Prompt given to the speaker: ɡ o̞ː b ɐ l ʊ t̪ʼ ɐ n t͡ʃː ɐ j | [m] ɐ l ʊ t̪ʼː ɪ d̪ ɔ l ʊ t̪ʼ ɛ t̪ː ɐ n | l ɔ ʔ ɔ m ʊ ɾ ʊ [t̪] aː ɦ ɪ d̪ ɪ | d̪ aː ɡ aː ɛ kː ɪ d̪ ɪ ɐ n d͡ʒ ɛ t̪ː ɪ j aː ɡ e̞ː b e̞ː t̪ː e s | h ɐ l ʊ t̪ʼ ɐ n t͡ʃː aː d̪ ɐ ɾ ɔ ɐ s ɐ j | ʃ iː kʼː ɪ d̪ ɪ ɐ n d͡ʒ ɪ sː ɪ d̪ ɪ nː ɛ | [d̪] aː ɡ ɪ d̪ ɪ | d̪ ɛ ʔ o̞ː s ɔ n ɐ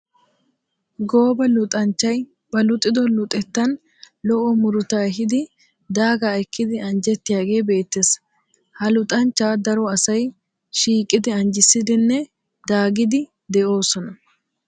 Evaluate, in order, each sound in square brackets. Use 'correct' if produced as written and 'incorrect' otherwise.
incorrect, correct, correct

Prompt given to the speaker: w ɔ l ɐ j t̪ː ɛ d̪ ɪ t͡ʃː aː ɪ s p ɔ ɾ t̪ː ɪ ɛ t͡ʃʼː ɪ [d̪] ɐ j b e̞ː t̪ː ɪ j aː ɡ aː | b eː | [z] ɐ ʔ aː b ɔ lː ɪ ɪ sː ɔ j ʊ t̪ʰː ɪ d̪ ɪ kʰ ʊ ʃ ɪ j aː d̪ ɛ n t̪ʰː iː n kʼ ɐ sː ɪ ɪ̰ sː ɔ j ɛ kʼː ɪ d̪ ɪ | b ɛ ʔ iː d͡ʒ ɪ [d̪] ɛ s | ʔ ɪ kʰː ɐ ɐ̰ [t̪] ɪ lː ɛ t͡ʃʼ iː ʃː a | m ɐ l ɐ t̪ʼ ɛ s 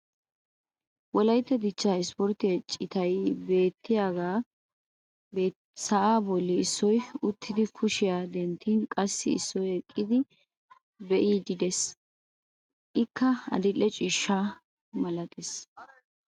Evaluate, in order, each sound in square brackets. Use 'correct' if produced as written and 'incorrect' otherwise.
incorrect, incorrect, correct, incorrect

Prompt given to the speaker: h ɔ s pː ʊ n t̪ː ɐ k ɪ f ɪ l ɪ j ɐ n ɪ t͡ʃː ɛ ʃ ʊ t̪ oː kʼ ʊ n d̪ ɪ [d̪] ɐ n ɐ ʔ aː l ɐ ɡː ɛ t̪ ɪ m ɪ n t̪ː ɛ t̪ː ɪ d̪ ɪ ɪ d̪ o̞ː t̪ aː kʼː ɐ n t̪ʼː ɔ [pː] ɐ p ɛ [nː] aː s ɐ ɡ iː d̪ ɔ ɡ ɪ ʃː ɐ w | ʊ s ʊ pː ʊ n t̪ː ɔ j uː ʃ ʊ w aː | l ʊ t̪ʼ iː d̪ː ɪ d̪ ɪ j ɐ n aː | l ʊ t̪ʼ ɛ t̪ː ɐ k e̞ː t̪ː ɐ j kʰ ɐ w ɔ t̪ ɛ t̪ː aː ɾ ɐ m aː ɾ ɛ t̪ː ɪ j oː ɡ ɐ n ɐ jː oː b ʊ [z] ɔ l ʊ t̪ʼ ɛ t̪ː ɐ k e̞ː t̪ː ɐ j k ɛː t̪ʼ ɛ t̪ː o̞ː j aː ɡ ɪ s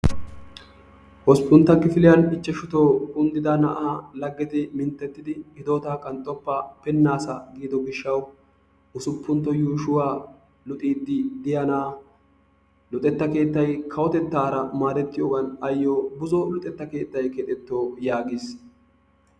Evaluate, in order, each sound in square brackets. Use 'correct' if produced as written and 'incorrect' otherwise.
correct, correct, correct, correct

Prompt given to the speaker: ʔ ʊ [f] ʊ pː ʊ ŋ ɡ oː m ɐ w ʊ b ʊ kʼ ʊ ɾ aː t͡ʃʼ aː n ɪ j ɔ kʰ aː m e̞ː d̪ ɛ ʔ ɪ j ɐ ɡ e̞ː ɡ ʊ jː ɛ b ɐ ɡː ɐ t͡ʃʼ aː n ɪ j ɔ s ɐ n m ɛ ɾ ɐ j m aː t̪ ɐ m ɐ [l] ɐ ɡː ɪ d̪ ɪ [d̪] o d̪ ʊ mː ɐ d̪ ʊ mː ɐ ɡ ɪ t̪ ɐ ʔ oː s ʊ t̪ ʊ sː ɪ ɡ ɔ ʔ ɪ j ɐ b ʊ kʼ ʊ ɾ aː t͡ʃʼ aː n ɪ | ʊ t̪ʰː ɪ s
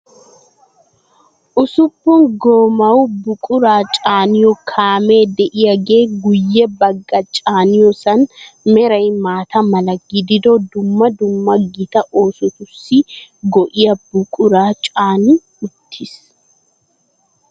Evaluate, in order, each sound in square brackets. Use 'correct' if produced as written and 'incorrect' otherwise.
incorrect, correct, correct

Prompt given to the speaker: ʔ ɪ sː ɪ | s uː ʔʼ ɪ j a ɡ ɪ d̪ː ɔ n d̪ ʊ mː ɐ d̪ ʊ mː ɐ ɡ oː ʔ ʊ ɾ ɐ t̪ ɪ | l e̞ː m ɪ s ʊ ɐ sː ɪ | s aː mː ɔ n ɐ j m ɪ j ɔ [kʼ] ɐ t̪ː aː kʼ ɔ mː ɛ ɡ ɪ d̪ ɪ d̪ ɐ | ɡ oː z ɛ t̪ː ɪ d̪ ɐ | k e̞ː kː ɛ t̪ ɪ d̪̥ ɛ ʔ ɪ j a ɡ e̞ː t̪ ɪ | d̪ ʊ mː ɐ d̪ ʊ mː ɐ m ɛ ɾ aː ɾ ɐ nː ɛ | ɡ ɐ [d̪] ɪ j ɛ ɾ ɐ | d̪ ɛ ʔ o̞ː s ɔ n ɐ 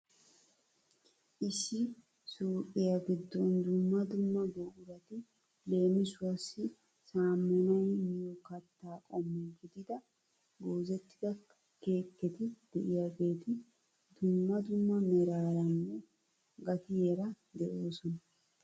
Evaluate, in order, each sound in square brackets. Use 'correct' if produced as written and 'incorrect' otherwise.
incorrect, incorrect

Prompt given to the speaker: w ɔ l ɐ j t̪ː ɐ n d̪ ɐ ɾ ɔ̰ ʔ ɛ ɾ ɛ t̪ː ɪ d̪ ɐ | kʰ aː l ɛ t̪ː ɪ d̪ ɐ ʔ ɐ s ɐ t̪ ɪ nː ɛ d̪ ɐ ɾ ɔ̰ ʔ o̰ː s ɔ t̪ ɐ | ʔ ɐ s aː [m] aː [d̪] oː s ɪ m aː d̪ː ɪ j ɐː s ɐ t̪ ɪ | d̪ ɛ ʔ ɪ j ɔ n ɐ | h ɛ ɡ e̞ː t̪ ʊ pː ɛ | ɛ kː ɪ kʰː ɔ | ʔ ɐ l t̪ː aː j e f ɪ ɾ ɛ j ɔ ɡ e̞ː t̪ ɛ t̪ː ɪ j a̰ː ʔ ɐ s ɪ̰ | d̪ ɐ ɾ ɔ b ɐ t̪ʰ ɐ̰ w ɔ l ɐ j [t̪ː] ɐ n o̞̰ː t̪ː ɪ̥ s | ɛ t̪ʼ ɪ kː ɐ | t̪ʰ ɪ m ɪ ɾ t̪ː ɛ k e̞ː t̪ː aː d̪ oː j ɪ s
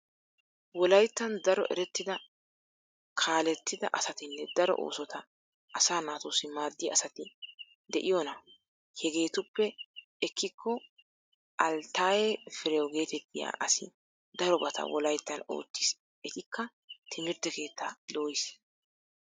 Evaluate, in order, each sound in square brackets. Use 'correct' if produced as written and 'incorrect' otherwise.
incorrect, incorrect, correct

